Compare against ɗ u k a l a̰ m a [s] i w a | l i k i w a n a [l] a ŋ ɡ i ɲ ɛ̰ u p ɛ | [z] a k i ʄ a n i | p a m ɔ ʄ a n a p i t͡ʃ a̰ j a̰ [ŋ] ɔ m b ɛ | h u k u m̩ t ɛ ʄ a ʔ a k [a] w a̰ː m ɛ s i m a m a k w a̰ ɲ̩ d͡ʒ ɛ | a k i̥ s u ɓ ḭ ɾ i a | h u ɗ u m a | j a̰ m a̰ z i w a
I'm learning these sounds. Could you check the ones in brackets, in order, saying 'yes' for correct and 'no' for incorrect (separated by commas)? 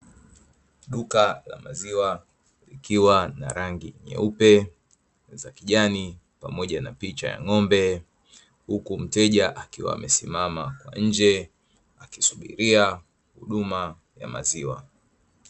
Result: no, no, yes, yes, no